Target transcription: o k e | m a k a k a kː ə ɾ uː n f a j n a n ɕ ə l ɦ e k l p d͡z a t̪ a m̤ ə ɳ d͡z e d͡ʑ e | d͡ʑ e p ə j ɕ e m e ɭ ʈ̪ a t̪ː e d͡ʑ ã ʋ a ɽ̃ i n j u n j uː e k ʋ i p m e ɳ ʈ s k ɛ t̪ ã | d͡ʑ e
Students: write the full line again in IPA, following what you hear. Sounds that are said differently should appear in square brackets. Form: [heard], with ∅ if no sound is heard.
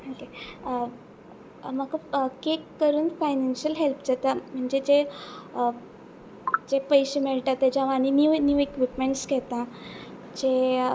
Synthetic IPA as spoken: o k e | m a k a k [e] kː ə ɾ uː n f a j n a n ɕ ə l ɦ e [∅] l p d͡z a t̪ a m̤ ə ɳ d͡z e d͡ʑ e | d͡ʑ e p ə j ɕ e m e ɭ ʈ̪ a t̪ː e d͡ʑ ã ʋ a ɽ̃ i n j u n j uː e k ʋ i p m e ɳ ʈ s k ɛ t̪ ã | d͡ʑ e